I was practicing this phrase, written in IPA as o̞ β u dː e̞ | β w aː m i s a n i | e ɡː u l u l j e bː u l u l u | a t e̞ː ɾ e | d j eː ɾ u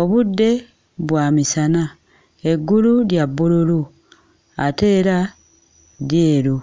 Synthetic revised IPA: o̞ β u dː e̞ | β w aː m i s a n a | e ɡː u l u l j a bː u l u l u | a t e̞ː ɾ a | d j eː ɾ u